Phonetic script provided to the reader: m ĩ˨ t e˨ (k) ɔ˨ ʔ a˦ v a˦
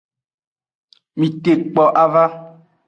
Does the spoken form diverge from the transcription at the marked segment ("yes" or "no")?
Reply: yes